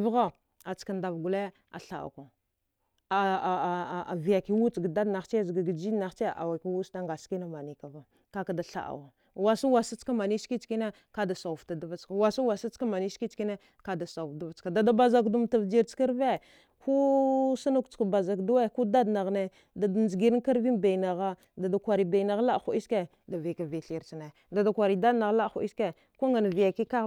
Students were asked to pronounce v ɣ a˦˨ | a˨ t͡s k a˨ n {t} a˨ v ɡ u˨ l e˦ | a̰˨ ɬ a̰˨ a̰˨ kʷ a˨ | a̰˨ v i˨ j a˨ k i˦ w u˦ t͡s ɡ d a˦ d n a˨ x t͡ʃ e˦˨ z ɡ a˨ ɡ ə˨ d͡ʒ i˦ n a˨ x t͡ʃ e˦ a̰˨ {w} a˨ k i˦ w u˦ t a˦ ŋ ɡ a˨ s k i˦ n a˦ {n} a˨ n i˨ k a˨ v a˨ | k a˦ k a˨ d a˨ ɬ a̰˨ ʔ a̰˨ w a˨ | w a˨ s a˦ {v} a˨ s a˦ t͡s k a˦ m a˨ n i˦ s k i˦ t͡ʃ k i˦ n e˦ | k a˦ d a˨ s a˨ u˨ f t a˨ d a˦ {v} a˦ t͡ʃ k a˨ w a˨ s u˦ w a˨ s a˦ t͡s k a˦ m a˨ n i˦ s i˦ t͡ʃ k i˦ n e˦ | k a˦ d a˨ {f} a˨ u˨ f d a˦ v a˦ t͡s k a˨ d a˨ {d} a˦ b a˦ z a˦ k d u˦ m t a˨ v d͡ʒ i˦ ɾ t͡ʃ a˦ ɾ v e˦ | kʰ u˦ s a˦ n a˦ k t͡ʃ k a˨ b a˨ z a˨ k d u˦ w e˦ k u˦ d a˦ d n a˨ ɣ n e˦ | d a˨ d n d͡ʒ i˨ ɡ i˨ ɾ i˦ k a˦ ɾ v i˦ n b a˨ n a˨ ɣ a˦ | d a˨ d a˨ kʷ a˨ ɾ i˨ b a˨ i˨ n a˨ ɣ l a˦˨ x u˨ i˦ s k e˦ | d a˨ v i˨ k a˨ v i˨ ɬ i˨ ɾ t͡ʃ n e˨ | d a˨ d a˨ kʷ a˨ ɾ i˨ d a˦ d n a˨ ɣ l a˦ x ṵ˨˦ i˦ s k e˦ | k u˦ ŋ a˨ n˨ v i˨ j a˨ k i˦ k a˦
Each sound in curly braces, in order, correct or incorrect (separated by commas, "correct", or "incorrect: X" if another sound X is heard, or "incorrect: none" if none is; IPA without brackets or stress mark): incorrect: d, correct, incorrect: m, incorrect: w, correct, incorrect: s, correct